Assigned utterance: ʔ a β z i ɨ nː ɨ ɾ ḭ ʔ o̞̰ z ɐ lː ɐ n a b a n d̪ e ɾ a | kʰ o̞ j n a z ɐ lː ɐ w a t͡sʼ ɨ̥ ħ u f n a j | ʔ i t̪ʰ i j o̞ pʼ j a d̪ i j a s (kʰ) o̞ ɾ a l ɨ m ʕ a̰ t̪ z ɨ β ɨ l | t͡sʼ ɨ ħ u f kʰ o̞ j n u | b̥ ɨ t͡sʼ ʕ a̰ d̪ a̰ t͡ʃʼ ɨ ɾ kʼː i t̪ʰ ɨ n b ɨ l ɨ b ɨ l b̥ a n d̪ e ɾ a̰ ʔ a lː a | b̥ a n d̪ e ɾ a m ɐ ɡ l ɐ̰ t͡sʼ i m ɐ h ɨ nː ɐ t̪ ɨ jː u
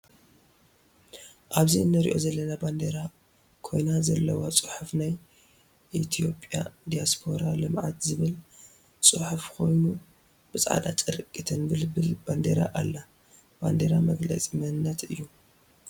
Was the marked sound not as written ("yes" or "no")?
yes